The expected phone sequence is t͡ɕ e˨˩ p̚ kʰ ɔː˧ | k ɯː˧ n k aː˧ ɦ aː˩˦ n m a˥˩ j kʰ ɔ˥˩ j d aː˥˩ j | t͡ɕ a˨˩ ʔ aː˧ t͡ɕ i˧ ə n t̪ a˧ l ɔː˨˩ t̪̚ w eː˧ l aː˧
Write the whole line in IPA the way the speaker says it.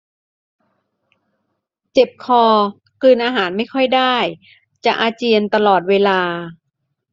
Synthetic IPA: t͡ɕ e˨˩ p̚ kʰ ɔː˧ | k ɯː˧ n ʔ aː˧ ɦ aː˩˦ n m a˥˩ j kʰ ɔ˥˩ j d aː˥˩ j | t͡ɕ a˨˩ ʔ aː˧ t͡ɕ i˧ ə n t̪ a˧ l ɔː˨˩ t̪̚ w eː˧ l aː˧